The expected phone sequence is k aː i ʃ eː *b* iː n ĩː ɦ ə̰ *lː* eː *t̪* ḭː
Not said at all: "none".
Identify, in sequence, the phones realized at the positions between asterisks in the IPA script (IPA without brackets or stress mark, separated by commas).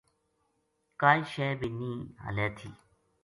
b, l, t̪ʰ